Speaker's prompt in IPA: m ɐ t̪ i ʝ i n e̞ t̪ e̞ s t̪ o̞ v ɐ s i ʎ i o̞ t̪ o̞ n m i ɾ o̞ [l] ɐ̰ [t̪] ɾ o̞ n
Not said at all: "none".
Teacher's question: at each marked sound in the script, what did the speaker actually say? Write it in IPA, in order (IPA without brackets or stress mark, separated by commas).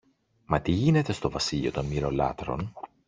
l, t̪